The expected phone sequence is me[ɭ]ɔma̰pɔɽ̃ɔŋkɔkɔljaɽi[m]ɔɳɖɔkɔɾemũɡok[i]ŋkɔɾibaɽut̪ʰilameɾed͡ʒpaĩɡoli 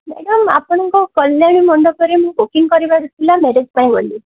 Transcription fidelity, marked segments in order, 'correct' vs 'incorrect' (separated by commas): incorrect, correct, correct